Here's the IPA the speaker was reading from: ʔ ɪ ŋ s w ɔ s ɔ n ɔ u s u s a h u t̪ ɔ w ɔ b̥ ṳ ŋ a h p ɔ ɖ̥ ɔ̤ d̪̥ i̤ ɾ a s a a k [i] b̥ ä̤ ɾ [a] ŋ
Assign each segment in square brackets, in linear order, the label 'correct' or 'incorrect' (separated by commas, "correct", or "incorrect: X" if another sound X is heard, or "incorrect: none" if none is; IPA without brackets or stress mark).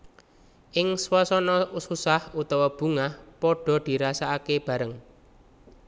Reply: incorrect: e, incorrect: ə